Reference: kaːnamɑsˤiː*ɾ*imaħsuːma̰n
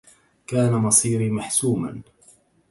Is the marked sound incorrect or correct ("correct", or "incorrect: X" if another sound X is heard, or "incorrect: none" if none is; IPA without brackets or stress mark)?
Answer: correct